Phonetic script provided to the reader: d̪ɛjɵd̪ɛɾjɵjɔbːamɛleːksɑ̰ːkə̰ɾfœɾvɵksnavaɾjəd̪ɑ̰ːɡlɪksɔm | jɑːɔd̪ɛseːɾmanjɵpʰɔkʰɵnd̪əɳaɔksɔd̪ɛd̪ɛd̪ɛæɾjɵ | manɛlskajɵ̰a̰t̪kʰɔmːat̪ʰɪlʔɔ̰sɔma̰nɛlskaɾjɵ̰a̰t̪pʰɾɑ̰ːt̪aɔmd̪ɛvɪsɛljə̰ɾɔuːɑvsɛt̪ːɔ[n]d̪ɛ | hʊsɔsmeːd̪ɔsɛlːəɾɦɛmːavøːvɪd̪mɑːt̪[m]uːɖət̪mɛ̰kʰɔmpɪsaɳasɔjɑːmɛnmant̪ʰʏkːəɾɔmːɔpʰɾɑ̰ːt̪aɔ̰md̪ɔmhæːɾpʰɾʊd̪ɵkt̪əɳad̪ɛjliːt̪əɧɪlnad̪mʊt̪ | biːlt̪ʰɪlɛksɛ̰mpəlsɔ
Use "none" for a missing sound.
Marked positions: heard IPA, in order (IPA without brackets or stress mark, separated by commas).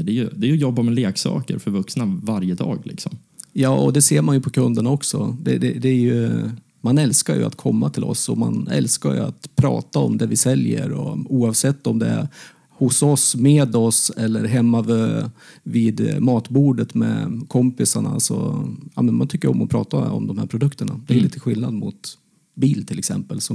m, b